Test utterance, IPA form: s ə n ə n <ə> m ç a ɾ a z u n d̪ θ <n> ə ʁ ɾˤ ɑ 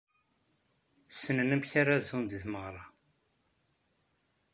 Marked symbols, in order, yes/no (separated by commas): yes, no